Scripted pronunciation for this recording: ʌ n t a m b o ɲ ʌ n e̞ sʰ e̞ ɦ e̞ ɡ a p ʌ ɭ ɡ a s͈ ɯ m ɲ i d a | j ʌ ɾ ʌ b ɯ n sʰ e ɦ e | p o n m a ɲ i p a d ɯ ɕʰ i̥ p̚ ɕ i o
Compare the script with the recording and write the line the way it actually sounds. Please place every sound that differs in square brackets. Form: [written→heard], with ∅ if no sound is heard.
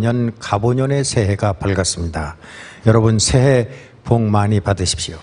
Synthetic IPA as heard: ʌ n [t→k] a [m→∅] b o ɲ ʌ n e̞ sʰ e̞ ɦ e̞ ɡ a p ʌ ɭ ɡ a s͈ ɯ m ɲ i d a | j ʌ ɾ ʌ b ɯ n sʰ e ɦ e | p o [n→ŋ] m a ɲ i p a d ɯ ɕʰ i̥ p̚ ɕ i o